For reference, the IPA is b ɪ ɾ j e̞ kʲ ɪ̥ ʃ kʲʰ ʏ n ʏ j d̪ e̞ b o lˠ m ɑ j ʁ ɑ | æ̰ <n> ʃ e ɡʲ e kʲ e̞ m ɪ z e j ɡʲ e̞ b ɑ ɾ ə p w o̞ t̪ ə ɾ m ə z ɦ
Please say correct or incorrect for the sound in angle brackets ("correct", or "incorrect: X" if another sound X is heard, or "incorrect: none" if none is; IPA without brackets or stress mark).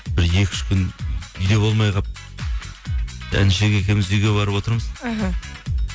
correct